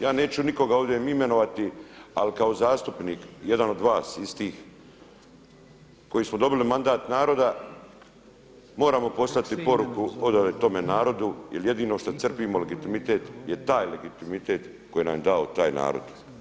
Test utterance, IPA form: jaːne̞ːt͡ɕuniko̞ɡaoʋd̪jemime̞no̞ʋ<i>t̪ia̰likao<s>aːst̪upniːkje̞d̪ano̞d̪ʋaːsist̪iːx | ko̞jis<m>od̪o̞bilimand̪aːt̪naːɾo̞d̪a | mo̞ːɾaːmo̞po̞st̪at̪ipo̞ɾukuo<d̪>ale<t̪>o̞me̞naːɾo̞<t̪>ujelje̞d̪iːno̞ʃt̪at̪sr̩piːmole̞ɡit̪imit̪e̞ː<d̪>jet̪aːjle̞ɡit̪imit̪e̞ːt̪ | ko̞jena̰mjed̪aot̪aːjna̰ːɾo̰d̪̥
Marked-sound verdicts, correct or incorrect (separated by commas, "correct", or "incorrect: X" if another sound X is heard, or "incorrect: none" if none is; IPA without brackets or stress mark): incorrect: a, incorrect: z, correct, correct, correct, incorrect: d̪, incorrect: t̪